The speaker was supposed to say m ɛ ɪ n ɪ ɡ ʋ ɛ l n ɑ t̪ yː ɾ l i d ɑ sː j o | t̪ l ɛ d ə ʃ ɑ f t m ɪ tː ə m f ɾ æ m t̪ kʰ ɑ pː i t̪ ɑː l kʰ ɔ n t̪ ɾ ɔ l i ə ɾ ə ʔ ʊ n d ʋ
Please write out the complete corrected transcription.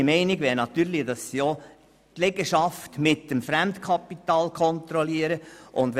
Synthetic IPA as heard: m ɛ ɪ n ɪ ɡ ʋ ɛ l n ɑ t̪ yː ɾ l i d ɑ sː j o | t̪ l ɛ ɡ ə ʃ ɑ f t m ɪ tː ə m f ɾ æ m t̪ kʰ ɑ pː i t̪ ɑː l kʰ ɔ n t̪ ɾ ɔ l i ə ɾ ə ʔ ʊ n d ʋ